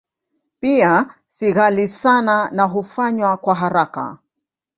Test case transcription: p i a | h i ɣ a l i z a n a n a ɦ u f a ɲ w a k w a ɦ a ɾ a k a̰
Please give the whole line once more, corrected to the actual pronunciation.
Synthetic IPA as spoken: p i a | s i ɣ a l i s a n a n a ɦ u f a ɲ w a k w a ɦ a ɾ a k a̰